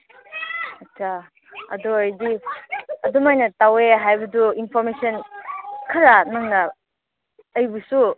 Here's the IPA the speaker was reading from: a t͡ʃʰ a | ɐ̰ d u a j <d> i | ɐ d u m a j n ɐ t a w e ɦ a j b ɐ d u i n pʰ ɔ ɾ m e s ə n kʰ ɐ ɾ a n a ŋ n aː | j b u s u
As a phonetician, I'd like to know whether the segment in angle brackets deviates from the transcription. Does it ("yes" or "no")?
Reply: no